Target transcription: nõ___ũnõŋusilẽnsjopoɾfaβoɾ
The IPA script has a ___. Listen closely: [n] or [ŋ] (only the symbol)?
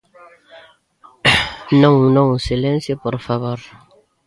ŋ